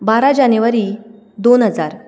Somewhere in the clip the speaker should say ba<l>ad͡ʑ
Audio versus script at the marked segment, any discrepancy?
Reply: yes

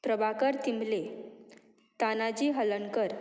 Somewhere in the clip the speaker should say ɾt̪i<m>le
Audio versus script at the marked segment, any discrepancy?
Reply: no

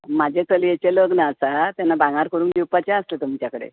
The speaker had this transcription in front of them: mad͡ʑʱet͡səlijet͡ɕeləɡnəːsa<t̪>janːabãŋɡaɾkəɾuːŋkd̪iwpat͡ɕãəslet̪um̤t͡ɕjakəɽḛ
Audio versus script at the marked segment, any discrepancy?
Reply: no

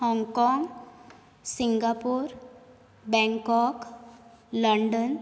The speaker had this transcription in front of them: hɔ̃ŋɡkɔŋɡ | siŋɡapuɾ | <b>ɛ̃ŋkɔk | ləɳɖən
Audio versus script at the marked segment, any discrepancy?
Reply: no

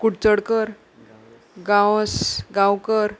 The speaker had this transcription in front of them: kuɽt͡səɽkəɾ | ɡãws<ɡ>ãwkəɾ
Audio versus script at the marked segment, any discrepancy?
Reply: no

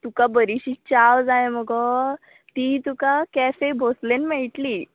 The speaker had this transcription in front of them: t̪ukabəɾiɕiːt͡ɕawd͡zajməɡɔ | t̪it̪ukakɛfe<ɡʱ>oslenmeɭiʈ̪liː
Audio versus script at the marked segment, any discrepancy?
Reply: yes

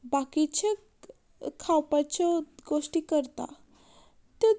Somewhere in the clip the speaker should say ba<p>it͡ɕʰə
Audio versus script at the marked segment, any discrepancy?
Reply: yes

